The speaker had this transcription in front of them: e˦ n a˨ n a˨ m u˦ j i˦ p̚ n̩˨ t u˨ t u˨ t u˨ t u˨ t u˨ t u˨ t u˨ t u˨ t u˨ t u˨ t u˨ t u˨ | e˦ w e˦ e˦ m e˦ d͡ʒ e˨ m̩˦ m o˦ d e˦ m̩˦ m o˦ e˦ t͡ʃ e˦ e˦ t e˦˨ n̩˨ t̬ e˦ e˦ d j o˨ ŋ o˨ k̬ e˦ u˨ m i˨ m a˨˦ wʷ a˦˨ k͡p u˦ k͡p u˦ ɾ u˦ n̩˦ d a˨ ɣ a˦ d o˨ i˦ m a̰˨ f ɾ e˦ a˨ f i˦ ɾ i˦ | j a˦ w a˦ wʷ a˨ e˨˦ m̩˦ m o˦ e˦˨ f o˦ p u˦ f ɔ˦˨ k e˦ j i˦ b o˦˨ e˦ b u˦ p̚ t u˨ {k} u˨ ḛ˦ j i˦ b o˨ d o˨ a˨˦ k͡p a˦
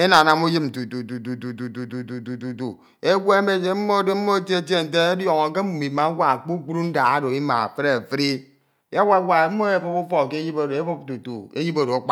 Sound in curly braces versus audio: incorrect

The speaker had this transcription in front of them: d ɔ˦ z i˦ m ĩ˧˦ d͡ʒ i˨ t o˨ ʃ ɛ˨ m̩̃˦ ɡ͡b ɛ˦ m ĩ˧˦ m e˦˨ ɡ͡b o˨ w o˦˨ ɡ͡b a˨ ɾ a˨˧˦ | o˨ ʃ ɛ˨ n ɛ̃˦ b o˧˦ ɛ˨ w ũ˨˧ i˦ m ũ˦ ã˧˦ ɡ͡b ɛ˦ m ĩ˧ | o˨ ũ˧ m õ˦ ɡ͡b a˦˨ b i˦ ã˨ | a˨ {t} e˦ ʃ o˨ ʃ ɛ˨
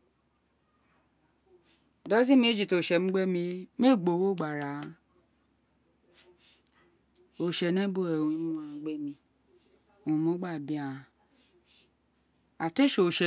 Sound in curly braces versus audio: correct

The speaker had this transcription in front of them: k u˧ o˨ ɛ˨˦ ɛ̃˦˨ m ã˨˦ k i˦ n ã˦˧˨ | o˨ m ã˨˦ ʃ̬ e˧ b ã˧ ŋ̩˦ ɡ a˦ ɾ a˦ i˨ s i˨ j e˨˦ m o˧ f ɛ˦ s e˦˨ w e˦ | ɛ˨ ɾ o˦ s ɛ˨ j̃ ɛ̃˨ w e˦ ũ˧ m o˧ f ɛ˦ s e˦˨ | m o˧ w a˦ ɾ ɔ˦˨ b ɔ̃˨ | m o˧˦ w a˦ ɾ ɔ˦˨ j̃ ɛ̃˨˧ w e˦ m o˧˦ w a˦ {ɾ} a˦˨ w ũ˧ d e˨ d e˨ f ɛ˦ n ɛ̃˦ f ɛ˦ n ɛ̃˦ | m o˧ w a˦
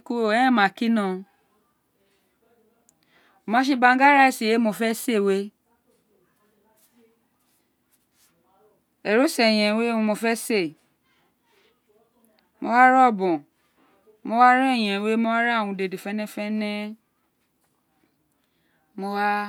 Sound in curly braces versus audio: correct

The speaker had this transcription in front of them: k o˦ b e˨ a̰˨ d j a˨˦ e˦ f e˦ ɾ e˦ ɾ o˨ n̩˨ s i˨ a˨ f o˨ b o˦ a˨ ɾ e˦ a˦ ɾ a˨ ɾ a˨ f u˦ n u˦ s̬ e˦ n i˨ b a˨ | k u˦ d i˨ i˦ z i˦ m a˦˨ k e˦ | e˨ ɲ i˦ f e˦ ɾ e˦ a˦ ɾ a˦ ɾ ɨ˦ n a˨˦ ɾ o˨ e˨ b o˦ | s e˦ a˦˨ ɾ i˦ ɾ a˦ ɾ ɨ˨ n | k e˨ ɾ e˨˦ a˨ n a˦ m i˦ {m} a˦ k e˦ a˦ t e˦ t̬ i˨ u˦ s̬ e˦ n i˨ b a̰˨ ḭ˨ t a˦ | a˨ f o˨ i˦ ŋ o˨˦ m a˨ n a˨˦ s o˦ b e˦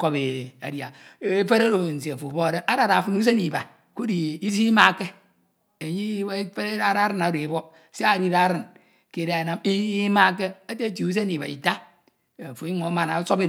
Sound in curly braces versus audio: correct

